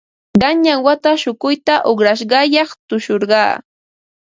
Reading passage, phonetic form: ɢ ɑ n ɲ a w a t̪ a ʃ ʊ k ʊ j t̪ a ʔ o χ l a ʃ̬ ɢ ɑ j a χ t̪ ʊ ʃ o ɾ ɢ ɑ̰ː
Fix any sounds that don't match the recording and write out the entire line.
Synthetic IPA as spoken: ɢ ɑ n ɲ a w a t̪ a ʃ ʊ k ʊ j t̪ a ʔ o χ ɾ a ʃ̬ ɢ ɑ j ɑ χ t̪ ʊ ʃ o ɾ ɢ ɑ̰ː